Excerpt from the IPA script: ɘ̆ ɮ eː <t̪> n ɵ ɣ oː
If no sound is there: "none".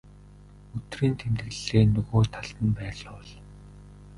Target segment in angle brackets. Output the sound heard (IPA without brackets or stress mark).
none